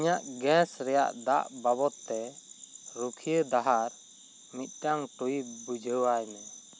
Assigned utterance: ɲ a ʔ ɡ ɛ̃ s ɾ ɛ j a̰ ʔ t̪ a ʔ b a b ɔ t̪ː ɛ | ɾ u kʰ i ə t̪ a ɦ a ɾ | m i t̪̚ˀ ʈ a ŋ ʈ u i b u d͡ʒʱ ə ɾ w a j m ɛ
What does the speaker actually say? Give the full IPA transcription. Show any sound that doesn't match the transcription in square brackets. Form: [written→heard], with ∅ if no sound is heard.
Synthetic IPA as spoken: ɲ a ʔ ɡ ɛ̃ s ɾ ɛ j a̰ ʔ [t̪→d̪] a ʔ b a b ɔ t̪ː ɛ | ɾ u kʰ i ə [t̪→d̪] a ɦ a ɾ | m i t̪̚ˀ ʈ a ŋ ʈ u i b u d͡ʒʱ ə [ɾ→∅] w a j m ɛ